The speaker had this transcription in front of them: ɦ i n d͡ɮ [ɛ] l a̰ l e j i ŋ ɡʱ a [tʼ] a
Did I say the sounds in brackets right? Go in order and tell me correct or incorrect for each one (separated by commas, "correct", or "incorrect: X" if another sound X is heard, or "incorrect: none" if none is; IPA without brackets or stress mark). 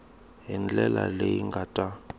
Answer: correct, correct